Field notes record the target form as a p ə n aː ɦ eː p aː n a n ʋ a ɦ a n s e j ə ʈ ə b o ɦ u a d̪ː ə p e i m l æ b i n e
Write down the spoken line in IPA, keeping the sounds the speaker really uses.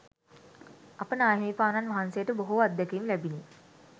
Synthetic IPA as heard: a p ə n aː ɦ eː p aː n a n ʋ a ɦ a n s e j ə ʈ ə b o ɦ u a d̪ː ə k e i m l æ b i n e